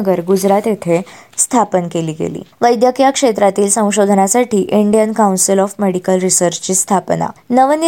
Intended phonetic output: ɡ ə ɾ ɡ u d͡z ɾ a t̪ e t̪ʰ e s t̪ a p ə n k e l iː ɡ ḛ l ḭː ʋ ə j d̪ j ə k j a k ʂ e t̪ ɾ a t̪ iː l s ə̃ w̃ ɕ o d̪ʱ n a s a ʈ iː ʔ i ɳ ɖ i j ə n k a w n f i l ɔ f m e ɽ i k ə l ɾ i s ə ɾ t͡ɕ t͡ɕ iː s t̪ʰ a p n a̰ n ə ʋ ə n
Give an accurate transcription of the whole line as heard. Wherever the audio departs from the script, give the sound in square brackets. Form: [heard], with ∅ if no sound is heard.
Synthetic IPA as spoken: ɡ ə ɾ ɡ u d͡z ɾ a t̪ e t̪ʰ e s [t̪ʰ] a p ə n k e l iː ɡ ḛ l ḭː ʋ ə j d̪ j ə k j a k ʂ e t̪ ɾ a t̪ iː l s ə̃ w̃ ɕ o d̪ʱ n a s a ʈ iː ʔ i ɳ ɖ i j ə n k a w n [s] i l ɔ f m e ɽ i k ə l ɾ i s ə ɾ t͡ɕ t͡ɕ iː s t̪ʰ a p n a̰ n ə ʋ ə n